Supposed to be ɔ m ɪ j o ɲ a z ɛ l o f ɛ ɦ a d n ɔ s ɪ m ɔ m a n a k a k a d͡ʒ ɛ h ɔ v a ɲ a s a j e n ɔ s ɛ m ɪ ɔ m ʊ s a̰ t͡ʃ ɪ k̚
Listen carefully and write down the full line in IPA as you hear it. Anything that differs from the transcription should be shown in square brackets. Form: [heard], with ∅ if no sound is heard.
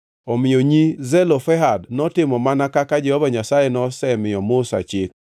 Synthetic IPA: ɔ m ɪ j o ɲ [i] z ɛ l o f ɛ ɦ a d n ɔ [t] ɪ m ɔ m a n a k a k a d͡ʒ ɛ h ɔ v a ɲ a s a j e n ɔ s ɛ m ɪ ɔ m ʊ s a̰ t͡ʃ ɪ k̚